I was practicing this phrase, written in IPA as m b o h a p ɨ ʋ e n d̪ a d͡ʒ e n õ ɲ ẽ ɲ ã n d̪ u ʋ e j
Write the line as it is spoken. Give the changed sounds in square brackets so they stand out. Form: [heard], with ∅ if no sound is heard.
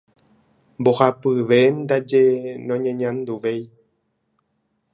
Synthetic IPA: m b o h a p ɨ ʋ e n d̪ a d͡ʒ e n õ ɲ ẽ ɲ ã n d̪ u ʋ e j